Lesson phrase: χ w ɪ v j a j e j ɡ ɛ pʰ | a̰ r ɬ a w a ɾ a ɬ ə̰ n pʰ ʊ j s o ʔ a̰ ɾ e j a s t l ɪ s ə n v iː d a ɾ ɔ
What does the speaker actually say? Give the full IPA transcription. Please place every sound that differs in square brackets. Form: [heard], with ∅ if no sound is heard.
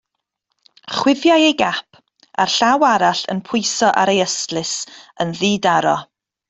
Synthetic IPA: χ w ɪ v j a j e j ɡ [a] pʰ | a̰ r ɬ a w a ɾ a ɬ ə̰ n pʰ ʊ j s [ɔ] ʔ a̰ ɾ e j [ə] s t l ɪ s ə n [ð] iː d a ɾ ɔ